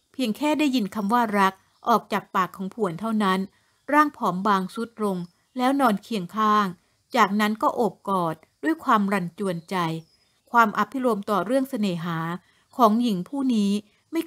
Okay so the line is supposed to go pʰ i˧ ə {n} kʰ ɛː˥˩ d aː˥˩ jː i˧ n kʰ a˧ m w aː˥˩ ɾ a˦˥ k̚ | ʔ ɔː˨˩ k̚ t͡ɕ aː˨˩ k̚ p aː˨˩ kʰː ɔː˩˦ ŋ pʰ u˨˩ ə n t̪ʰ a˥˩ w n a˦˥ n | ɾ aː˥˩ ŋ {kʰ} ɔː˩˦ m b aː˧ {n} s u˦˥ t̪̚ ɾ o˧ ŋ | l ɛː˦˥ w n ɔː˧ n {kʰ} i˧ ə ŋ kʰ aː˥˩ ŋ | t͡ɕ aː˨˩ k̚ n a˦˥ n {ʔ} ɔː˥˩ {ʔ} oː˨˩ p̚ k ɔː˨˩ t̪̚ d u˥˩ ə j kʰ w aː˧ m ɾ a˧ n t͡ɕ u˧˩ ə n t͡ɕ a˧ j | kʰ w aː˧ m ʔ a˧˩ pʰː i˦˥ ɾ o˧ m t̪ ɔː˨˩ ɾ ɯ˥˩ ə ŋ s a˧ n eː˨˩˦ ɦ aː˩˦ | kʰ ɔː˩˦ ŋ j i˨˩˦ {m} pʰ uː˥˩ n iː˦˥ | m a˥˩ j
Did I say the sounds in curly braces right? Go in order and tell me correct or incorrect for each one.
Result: incorrect: ŋ, incorrect: pʰ, incorrect: ŋ, correct, incorrect: k, correct, incorrect: ŋ

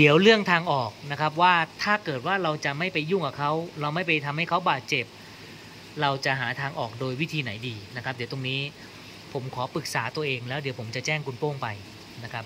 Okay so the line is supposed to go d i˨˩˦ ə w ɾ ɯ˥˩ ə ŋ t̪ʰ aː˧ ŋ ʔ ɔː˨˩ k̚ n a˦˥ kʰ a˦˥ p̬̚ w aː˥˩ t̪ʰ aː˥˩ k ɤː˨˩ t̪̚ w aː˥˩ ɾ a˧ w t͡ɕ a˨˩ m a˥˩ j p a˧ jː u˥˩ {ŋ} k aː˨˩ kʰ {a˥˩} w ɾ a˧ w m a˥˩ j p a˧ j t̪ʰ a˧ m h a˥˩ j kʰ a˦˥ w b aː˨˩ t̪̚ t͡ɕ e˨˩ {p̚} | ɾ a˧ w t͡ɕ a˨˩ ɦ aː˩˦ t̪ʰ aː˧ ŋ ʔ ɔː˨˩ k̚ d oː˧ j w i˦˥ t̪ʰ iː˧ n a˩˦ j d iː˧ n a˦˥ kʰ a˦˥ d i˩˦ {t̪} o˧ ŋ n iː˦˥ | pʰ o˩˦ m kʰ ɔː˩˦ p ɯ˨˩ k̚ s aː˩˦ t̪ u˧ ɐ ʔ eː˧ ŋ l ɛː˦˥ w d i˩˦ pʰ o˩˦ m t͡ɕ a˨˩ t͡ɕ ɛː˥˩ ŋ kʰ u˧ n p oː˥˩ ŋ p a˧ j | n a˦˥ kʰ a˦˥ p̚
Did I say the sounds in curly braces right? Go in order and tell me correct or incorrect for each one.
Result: correct, incorrect: a˦˥, correct, correct

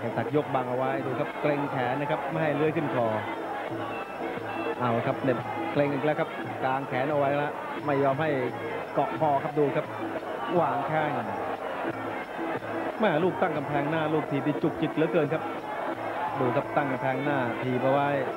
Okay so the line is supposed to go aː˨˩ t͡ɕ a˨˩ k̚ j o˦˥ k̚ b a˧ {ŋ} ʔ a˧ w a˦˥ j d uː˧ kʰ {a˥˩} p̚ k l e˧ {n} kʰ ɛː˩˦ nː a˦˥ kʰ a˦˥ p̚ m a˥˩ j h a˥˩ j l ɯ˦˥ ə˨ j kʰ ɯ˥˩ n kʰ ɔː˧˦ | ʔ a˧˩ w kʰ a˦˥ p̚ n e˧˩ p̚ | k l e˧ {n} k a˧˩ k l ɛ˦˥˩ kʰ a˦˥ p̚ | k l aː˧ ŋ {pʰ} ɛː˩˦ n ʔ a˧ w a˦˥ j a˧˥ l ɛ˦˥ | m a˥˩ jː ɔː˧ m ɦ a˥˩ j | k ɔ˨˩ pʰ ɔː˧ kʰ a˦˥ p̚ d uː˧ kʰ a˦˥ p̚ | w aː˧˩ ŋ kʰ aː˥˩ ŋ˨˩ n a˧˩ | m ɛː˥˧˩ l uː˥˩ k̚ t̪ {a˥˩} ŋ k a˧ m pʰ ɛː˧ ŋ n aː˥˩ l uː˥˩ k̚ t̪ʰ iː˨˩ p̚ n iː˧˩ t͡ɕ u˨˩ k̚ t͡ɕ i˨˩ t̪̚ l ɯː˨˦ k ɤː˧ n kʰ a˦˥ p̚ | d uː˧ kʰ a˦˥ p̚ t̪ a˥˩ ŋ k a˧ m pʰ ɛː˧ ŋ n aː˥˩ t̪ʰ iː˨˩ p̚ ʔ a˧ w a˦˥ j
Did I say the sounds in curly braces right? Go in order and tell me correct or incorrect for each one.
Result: correct, incorrect: a˦˥, incorrect: ŋ, incorrect: ŋ, incorrect: kʰ, correct

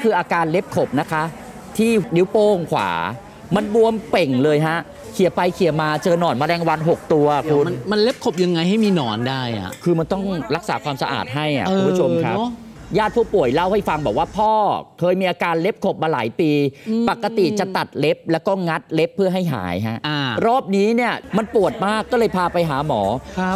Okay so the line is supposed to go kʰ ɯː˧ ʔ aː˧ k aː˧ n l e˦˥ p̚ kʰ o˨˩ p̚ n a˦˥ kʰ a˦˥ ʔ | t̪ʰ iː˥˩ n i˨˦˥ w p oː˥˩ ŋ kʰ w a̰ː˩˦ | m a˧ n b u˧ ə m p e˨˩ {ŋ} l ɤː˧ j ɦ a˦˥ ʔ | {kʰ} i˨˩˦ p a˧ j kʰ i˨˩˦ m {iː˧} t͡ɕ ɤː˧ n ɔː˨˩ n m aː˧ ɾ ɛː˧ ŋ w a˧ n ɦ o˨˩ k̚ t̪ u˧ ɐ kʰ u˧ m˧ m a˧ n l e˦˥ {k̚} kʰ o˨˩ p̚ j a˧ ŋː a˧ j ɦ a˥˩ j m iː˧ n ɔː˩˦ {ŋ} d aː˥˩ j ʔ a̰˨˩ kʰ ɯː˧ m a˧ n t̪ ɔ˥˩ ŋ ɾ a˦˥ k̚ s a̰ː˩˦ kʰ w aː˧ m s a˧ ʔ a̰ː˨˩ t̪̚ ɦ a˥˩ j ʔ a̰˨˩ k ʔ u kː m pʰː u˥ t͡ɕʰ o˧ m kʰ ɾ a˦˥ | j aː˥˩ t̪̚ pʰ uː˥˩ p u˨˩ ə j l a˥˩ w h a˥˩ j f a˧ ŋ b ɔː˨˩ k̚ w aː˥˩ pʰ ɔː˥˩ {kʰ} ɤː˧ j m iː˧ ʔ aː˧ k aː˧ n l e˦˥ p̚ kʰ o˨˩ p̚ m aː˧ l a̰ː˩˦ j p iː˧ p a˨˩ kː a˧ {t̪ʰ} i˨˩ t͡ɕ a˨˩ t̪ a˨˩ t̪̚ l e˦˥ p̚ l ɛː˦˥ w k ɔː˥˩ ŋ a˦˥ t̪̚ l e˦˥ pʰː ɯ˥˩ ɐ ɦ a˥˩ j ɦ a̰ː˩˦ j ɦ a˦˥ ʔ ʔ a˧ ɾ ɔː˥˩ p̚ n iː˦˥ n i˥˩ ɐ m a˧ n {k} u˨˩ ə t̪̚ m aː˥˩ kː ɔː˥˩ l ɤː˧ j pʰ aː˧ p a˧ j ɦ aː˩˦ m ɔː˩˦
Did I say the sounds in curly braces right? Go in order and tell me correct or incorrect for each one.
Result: correct, correct, incorrect: aː˧, incorrect: p̚, incorrect: n, correct, incorrect: t̪, incorrect: p

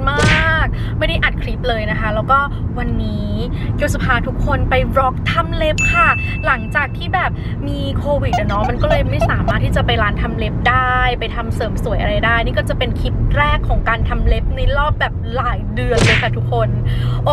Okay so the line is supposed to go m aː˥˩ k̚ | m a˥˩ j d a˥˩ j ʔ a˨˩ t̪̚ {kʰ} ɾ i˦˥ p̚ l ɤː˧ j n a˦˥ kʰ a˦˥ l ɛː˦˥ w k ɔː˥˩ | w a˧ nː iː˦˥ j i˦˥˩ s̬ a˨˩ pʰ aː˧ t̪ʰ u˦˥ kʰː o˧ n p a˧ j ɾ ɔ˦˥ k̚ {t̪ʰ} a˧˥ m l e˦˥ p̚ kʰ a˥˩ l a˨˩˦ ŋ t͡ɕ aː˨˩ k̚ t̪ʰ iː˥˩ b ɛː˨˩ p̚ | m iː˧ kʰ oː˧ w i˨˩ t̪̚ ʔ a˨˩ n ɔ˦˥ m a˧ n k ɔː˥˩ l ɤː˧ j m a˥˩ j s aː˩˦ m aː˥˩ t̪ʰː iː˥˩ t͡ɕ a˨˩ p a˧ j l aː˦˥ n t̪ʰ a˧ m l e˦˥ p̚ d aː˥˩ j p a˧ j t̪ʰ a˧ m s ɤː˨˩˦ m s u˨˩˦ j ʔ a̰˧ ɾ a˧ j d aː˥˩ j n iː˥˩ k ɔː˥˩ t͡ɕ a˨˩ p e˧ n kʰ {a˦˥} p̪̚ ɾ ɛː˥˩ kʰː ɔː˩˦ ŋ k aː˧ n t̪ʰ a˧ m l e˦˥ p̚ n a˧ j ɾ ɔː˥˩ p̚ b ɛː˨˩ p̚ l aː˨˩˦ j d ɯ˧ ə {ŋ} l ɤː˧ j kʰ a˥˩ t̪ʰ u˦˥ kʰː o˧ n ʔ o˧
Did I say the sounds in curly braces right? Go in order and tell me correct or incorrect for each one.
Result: correct, correct, incorrect: i˦˥, incorrect: n

